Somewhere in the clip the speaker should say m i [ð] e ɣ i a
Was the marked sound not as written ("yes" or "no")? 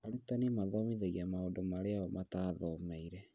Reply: no